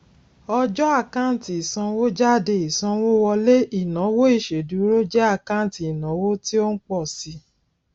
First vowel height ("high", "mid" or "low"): mid